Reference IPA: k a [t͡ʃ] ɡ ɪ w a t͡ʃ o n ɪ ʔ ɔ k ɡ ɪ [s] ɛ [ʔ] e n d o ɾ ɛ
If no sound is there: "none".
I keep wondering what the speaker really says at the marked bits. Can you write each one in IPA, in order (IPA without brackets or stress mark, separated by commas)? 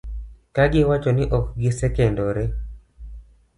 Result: none, s, k